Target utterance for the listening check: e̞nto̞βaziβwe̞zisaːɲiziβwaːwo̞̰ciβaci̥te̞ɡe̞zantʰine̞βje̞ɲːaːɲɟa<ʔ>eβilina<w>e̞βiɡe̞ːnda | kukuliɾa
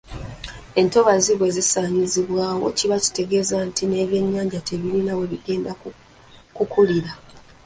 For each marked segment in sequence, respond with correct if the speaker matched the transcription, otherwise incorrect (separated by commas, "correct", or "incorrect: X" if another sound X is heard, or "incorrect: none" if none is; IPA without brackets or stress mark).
incorrect: t, correct